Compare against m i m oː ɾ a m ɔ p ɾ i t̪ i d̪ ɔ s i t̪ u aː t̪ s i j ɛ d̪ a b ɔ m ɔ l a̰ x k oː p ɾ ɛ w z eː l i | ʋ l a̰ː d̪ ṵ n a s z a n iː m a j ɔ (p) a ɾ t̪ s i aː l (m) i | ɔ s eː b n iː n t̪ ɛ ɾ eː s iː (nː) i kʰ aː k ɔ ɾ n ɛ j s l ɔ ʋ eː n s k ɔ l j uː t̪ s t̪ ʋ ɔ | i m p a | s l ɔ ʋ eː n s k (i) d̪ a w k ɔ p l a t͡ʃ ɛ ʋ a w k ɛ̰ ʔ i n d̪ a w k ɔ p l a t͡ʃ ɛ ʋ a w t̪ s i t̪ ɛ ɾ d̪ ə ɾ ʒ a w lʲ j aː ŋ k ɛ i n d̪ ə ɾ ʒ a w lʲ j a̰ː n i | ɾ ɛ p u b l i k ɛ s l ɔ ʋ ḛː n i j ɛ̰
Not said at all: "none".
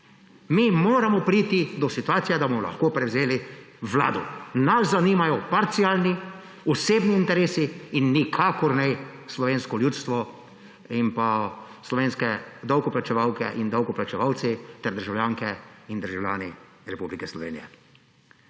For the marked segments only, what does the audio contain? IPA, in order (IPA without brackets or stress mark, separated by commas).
p, n, nː, ɛ